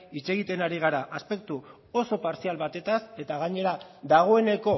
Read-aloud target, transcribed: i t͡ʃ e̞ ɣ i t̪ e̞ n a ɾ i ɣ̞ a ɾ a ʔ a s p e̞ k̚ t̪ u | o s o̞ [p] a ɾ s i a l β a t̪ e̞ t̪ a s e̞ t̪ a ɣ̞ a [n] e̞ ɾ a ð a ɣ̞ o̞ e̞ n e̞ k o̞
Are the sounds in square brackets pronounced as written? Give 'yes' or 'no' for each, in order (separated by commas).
yes, no